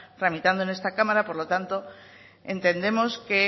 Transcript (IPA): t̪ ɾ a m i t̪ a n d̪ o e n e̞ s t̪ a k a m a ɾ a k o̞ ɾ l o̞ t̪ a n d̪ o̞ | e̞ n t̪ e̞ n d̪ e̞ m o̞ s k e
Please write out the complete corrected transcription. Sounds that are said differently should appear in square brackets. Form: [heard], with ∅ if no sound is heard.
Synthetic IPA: t̪ ɾ a m i t̪ a n d̪ o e n e̞ s t̪ a k a m a ɾ a [p] o̞ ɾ l o̞ t̪ a n [t̪] o̞ | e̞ n t̪ e̞ n d̪ e̞ m o̞ s k e